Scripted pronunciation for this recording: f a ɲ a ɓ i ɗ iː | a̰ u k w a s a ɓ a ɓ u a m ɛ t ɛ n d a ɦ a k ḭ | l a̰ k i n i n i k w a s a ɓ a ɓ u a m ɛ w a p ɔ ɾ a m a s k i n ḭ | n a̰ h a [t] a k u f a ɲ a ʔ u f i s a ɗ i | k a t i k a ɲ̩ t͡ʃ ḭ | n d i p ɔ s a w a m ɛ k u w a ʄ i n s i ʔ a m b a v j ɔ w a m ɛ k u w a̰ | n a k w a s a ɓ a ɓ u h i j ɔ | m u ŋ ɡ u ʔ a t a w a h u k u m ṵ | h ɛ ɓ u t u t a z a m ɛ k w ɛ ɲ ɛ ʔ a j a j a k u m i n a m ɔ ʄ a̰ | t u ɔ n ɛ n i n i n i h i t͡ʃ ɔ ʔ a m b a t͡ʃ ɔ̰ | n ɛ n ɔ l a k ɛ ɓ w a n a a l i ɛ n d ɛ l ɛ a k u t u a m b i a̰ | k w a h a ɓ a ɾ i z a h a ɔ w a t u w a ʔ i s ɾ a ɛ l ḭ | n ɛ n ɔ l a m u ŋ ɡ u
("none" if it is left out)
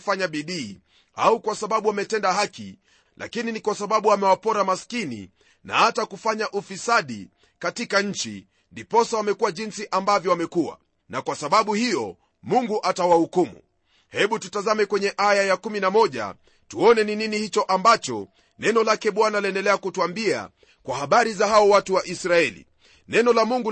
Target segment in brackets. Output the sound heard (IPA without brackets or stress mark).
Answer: t